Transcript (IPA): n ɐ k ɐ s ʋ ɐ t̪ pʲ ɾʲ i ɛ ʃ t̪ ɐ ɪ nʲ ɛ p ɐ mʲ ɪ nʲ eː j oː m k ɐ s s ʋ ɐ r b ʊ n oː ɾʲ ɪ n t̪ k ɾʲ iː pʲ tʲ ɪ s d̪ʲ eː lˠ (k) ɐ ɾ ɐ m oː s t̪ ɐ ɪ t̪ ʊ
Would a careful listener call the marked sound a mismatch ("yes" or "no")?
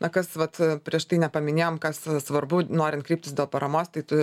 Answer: yes